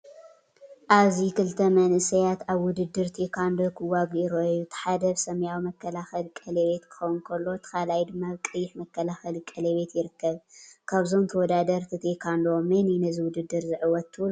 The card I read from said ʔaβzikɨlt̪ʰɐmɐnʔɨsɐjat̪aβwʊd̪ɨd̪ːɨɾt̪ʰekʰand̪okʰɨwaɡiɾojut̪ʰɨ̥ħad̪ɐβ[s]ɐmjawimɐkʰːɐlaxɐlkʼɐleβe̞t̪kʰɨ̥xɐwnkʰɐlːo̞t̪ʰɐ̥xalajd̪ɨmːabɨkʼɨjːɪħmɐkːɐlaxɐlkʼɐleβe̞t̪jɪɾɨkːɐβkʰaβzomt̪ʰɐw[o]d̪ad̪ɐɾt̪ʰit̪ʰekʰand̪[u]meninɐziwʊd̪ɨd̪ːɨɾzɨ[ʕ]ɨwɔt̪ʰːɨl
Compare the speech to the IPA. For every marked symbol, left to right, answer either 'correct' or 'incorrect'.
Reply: correct, incorrect: ɔ, incorrect: o, correct

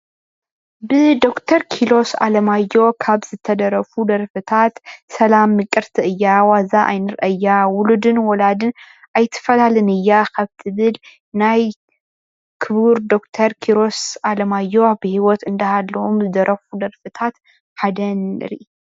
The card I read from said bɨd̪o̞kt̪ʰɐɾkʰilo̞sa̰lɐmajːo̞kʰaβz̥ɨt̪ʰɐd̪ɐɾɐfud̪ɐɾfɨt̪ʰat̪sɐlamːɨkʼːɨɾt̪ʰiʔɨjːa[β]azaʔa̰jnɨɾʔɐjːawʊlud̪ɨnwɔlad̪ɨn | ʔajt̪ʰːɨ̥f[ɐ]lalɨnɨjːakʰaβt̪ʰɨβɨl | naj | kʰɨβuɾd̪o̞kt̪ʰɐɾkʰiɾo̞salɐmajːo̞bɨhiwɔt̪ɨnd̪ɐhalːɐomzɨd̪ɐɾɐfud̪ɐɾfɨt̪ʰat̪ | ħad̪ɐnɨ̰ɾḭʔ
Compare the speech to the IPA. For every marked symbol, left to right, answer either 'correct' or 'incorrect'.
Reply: incorrect: w, correct

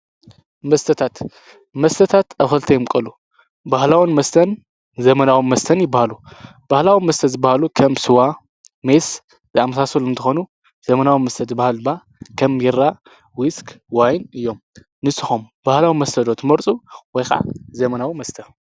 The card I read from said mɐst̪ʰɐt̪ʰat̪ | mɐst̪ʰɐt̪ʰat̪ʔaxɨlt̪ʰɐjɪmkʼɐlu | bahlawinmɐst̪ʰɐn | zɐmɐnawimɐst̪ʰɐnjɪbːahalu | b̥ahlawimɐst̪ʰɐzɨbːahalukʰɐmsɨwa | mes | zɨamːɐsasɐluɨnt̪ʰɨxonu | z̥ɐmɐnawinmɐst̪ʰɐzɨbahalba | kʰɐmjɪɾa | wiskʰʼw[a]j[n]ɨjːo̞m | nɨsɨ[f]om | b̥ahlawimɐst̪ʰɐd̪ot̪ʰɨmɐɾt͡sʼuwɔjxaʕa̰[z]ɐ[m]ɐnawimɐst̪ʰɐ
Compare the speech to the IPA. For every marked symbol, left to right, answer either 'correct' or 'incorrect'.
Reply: correct, correct, incorrect: x, correct, correct

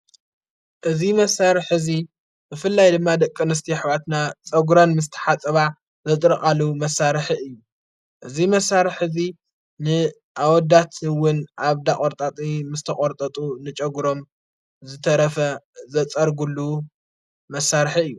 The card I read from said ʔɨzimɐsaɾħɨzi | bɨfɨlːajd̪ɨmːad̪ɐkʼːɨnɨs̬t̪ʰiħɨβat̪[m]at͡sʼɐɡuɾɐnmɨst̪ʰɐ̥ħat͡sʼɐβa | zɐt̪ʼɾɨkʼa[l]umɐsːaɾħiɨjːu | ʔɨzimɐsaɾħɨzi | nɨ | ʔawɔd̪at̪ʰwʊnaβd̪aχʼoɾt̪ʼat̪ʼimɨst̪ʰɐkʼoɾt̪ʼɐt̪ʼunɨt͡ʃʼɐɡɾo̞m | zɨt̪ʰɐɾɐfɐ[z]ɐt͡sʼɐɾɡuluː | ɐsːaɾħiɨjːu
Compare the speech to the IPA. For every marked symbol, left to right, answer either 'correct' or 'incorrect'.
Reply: incorrect: n, correct, correct

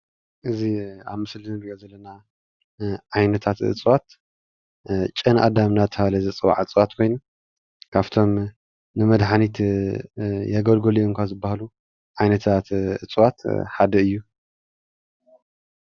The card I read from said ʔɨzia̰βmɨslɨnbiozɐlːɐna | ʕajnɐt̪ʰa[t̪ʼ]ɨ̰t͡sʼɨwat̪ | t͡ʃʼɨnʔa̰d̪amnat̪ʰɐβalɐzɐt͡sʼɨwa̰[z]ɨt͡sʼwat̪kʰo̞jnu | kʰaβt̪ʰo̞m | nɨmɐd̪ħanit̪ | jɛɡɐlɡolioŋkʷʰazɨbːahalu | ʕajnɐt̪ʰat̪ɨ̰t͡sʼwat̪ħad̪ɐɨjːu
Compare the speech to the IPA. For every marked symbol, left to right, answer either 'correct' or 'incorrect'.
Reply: incorrect: t̪, incorrect: ʕ

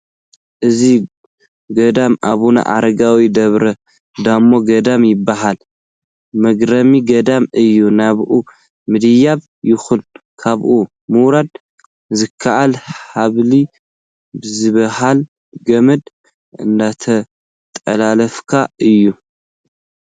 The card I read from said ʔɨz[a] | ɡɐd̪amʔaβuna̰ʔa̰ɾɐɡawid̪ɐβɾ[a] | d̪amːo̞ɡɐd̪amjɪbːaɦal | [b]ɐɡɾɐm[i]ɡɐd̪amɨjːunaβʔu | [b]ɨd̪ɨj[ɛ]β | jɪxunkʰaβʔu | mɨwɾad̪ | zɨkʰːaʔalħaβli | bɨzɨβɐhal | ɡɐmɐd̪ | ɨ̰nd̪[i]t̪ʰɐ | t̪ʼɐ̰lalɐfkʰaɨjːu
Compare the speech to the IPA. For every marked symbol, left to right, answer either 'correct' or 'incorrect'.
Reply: incorrect: i, incorrect: ɐ, incorrect: m, correct, incorrect: m, incorrect: a, incorrect: a

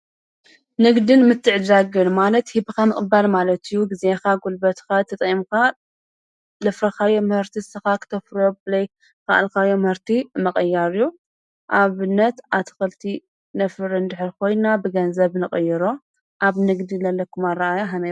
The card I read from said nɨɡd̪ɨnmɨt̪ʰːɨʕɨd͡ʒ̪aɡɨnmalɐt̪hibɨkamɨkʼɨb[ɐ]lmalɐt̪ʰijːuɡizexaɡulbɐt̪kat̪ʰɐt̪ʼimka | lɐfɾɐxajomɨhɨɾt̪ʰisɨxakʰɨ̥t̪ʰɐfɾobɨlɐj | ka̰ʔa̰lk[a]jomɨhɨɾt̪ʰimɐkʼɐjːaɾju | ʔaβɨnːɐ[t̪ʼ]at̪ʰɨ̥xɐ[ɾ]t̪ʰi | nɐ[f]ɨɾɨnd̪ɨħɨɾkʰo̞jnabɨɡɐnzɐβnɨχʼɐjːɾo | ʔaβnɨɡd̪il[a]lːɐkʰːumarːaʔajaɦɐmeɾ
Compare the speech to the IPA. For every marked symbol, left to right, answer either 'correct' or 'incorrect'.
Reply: incorrect: a, correct, incorrect: t̪, incorrect: l, correct, incorrect: ɐ

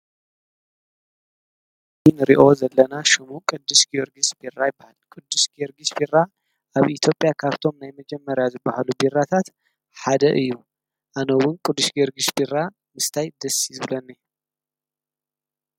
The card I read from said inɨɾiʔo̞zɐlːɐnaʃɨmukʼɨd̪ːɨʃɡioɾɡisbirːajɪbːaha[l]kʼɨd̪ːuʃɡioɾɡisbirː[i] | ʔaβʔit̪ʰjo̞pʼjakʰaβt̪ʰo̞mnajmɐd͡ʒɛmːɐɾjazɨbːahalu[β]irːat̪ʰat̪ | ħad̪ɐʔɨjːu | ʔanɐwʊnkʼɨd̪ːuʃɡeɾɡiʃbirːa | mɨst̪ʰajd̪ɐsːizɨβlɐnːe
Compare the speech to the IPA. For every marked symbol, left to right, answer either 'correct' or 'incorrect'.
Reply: correct, incorrect: a, incorrect: b

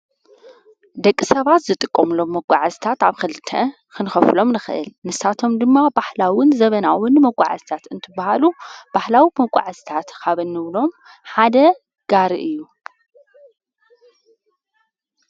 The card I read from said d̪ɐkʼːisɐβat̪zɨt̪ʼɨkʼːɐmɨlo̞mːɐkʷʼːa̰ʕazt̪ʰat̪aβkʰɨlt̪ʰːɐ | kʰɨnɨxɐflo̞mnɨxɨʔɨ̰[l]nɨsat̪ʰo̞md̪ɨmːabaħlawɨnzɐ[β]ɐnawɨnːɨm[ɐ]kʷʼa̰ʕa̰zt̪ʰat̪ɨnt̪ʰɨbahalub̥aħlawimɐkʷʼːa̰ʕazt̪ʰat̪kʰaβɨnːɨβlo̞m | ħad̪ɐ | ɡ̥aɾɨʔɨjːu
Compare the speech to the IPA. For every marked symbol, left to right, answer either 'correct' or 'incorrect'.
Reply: correct, correct, correct

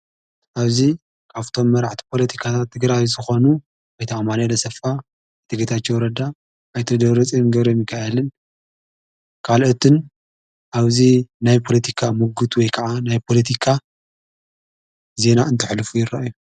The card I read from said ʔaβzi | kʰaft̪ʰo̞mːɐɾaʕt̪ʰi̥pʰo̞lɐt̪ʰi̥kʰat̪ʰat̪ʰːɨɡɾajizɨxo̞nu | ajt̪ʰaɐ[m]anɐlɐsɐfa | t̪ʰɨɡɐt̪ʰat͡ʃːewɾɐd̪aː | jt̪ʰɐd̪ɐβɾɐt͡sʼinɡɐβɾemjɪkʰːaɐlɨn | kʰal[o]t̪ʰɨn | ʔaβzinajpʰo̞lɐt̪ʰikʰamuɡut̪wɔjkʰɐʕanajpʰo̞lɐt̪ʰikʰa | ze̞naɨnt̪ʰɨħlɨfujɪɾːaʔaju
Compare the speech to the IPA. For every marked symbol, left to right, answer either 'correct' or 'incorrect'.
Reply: correct, correct

